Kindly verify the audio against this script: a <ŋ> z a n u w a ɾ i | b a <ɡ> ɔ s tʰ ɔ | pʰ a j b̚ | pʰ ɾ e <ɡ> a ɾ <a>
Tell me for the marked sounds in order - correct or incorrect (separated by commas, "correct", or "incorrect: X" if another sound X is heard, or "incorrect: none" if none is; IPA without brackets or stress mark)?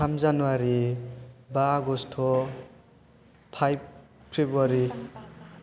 incorrect: m, correct, incorrect: b, incorrect: i